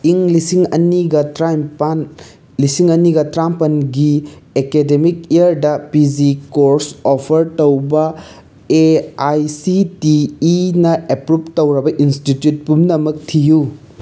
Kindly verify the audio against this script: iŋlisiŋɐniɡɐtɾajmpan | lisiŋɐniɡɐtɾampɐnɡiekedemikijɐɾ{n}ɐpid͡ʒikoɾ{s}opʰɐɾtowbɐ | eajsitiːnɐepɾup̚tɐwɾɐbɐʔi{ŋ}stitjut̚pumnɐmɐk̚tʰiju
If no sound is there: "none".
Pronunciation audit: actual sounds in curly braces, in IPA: d, s, n

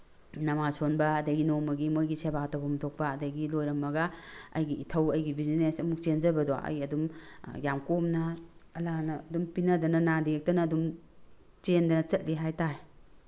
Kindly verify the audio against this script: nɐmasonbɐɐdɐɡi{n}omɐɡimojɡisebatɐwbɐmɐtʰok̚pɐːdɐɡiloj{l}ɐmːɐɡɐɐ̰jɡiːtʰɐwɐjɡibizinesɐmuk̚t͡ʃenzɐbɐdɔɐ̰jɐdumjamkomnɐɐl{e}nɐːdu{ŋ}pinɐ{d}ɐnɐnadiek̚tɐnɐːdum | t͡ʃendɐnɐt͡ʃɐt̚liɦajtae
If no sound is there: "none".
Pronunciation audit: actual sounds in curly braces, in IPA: n, ɾ, a, m, d

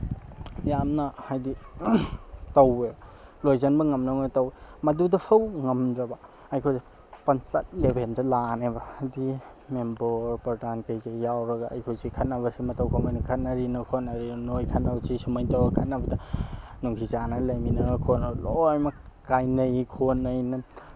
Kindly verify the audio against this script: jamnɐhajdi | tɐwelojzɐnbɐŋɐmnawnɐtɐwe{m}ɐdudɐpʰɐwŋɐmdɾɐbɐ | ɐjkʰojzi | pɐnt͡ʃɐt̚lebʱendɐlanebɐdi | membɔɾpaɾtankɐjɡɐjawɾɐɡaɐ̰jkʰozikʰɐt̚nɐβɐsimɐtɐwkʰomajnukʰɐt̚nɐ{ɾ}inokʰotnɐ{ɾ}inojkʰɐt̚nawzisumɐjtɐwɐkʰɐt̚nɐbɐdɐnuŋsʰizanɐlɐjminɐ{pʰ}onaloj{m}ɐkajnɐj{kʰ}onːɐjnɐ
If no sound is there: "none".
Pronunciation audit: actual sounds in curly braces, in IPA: m, ɾ, ɾ, kʰ, m, kʰ

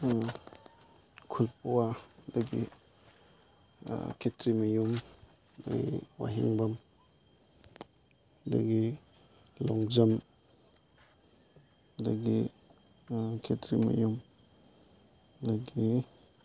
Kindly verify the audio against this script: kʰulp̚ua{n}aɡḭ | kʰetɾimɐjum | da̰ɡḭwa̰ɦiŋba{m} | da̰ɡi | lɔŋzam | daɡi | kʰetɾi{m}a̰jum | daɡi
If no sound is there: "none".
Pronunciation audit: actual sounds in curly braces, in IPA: d, m, m

